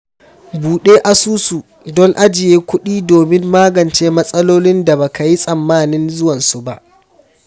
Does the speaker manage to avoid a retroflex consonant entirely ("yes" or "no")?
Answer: yes